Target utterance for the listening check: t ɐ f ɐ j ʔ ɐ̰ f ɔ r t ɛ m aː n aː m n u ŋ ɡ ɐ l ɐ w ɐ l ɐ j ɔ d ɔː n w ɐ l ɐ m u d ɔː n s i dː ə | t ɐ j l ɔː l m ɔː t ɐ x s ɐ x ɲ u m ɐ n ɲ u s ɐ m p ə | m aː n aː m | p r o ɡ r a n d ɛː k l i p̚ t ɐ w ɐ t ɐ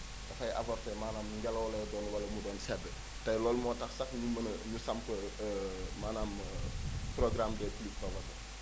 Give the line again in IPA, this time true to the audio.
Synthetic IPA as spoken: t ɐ f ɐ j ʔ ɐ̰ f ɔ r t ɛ m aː n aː m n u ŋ ɡ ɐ l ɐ w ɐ l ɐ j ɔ d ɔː n w ɐ l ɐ m u d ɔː n s ɛ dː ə | t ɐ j l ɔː l m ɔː t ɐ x s ɐ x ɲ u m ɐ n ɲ u s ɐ m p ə | m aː n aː m | p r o ɡ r a m d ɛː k l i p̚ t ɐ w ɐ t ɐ

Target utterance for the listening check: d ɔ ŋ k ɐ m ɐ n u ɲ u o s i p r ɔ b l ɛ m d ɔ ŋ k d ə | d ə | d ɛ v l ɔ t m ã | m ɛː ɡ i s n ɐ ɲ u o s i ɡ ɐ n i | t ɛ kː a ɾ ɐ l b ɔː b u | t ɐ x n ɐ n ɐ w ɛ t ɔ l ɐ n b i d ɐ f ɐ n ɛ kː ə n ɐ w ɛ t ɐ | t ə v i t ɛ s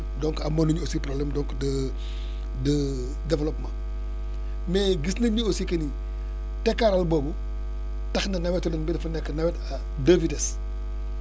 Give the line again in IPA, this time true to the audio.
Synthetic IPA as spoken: d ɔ ŋ k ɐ m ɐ n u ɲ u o s i p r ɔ b l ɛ m d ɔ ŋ k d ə | d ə | d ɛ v l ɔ p m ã | m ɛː ɡ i s n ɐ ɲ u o s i k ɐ n i | t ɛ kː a ɾ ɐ l b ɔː b u | t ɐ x n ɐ n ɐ w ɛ t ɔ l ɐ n b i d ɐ f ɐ n ɛ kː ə n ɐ w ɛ t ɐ | d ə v i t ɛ s

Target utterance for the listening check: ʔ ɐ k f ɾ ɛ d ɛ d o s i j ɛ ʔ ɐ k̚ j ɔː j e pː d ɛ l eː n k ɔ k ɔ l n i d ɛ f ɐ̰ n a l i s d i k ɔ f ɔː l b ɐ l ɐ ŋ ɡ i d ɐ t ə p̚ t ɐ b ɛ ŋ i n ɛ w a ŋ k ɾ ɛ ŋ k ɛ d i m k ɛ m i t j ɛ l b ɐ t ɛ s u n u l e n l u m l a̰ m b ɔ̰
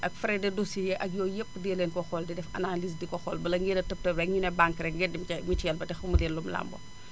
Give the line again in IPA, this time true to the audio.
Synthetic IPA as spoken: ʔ ɐ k f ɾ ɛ d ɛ d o s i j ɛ ʔ ɐ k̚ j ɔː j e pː d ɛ l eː n k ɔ x ɔ l d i d ɛ f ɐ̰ n a l i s d i k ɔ x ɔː l b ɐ l ɐ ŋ ɡ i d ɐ t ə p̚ t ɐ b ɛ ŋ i n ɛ b a ŋ k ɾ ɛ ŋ ɡ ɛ d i m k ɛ m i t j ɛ l b ɐ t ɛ x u m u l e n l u m l a̰ m b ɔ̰

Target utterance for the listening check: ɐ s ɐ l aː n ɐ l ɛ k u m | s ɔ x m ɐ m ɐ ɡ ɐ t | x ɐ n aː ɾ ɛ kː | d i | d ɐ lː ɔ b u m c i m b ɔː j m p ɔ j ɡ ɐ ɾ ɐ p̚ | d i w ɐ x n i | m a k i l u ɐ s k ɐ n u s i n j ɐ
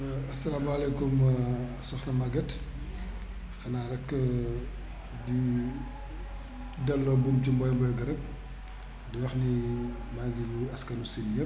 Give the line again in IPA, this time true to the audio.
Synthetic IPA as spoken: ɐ s ɐ l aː m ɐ l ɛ k u m | s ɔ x n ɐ m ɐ ɡ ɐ t | x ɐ n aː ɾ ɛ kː | d i | d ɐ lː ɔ b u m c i m b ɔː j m b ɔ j ɡ ɐ ɾ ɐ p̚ | d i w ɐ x n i | m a ɡ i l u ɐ s k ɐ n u s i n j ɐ

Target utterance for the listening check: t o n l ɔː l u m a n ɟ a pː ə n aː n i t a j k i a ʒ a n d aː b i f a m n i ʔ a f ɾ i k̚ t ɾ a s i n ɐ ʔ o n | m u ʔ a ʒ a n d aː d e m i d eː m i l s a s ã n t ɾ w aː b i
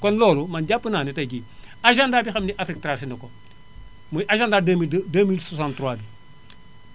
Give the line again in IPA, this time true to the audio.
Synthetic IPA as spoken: k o n l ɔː l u m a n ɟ a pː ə n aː n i t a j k i a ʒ a n d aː b i x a m n i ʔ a f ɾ i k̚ t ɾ a s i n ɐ k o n | m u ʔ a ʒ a n d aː d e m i d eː m i l s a s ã n t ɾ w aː b i

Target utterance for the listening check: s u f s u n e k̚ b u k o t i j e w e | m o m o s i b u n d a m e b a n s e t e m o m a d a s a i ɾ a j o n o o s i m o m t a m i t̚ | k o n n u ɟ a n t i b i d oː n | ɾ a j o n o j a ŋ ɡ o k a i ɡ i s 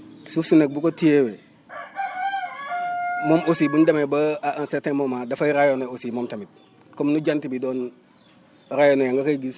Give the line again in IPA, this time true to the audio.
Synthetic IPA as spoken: s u f s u n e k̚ b u k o t i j e w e | m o m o s i b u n d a m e b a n s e t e m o m a d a f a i ɾ a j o n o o s i m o m t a m i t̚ | k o m n u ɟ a n t i b i d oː n | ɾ a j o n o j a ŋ ɡ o k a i ɡ i s

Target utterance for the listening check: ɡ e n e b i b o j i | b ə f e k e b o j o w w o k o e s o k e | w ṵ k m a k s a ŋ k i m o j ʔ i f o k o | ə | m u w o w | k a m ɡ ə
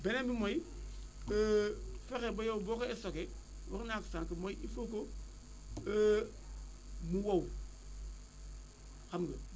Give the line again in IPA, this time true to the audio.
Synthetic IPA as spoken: b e n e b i m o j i | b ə f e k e b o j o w b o k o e s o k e | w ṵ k n a k s a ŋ k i m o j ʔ i f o k o | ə | m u w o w | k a m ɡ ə

